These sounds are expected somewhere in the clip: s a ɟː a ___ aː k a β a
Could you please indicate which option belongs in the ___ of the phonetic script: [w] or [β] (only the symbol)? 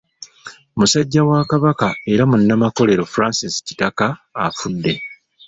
w